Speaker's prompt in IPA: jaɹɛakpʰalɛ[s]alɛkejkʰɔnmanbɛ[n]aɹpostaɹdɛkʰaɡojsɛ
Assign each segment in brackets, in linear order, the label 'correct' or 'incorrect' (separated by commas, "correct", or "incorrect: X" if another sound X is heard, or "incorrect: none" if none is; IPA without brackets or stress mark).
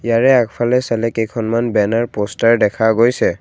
correct, correct